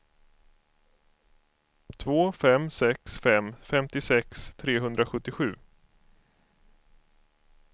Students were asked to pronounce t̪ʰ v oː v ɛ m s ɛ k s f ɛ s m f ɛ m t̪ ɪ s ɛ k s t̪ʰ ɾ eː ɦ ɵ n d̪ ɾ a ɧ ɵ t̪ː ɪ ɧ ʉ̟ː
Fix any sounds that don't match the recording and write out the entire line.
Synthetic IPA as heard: t̪ʰ v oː f ɛ m s ɛ k s f ɛ m f ɛ m t̪ ɪ s ɛ k s t̪ʰ ɾ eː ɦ ɵ n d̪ ɾ a ɧ ɵ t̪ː ɪ ɧ ʉ̟ː